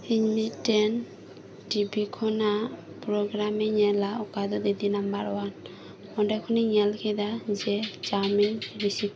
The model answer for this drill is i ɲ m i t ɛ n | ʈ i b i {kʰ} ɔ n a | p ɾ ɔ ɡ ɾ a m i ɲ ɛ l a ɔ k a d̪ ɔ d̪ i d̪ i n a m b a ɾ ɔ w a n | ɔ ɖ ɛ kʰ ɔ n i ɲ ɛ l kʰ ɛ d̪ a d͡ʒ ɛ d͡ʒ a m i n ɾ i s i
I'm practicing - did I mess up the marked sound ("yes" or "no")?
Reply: no